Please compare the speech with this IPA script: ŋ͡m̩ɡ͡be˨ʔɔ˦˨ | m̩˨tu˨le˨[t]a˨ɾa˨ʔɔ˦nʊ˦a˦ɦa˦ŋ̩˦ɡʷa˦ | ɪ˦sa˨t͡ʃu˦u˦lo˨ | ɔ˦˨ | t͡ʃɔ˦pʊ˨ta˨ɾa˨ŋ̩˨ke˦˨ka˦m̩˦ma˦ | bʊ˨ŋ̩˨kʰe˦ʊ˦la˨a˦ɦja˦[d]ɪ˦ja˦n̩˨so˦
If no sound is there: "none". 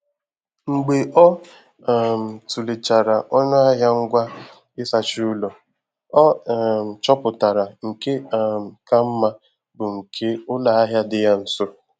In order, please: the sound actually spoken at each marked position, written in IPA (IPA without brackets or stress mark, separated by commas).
t͡ʃ, d